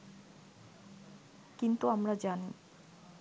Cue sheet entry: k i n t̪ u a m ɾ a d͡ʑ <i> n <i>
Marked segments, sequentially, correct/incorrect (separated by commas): incorrect, correct